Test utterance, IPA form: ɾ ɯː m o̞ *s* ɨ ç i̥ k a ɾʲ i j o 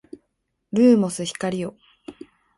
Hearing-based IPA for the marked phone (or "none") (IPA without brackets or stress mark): s